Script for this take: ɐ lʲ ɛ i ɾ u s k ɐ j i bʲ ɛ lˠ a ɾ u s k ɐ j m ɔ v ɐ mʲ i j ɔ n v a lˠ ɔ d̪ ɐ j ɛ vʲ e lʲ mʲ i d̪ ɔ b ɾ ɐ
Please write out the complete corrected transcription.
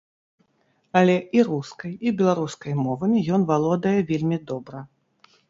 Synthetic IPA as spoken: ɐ lʲ ɛ i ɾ u s k ɐ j i bʲ ɛ lˠ a ɾ u s k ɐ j m ɔ v ɐ mʲ i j ɔ n v a lˠ ɔ d̪ ɐ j ɛ vʲ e lʲ mʲ i d̪ ɔ b ɾ ɐ